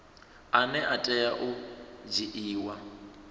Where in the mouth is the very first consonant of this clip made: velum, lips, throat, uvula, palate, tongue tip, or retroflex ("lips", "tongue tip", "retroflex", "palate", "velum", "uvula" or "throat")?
tongue tip